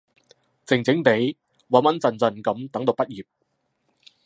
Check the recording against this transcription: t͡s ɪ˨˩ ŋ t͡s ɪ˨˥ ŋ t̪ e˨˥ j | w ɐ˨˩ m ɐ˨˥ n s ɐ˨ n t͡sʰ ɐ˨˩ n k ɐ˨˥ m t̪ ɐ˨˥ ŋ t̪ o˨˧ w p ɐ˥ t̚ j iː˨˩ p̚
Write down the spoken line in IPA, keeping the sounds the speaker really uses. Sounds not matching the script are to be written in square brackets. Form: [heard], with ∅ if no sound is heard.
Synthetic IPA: t͡s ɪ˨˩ ŋ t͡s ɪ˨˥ ŋ t̪ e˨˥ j | w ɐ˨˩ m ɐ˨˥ n [t͡s] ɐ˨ n [t͡s] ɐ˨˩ n k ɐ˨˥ m t̪ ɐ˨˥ ŋ t̪ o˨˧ w p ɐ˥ t̚ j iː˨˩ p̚